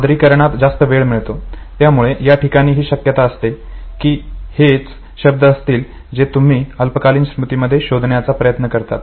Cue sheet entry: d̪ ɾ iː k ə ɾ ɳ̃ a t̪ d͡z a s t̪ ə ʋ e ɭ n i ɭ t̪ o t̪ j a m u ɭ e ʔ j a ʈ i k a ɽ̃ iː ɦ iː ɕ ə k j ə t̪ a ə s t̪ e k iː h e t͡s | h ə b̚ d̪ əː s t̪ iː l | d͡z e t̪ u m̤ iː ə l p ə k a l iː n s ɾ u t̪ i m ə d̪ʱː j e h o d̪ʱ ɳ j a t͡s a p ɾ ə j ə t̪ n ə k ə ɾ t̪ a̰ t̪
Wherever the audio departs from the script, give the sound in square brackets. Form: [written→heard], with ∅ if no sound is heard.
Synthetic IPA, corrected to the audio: d̪ ɾ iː k ə ɾ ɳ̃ a t̪ d͡z a s t̪ ə ʋ e ɭ [n→m] i ɭ t̪ o t̪ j a m u ɭ e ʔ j a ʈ i k a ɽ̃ iː ɦ iː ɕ ə k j ə t̪ a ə s t̪ e k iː h e t͡s | [h→ɕ] ə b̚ d̪ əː s t̪ iː l | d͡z e t̪ u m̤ iː ə l p ə k a l iː n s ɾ u t̪ i m ə d̪ʱː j e [h→ɕ] o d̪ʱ ɳ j a t͡s a p ɾ ə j ə t̪ n ə k ə ɾ t̪ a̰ t̪